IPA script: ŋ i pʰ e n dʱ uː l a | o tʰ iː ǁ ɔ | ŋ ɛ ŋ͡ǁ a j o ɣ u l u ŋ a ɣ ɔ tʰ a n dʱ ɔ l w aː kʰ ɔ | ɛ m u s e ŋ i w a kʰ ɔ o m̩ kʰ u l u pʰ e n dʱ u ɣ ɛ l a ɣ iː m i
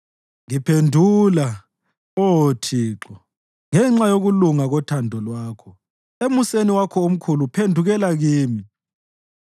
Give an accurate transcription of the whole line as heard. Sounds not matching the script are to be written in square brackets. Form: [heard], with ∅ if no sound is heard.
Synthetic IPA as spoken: ŋ i pʰ e n dʱ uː l a | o tʰ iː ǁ ɔ | ŋ ɛ ŋ͡ǁ a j o ɣ u l u ŋ a ɣ ɔ tʰ a n dʱ ɔ l w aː kʰ ɔ | [e] m u s e [n] i w a kʰ ɔ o m̩ kʰ u l u pʰ e n dʱ u ɣ ɛ l a ɣ iː m i